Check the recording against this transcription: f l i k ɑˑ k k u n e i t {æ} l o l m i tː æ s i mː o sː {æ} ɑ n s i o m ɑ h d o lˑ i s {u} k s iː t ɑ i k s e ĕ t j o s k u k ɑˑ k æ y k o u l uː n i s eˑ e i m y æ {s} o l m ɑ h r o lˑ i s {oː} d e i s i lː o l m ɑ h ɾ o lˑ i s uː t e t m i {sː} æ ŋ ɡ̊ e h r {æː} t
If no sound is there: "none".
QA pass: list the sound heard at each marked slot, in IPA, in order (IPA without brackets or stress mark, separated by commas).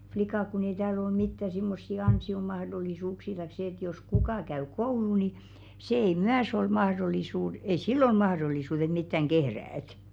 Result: æː, i, uː, s, uː, tː, æː